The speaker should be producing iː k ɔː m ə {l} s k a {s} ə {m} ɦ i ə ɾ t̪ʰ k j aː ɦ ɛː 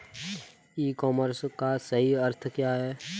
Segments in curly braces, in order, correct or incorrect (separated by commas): incorrect, correct, incorrect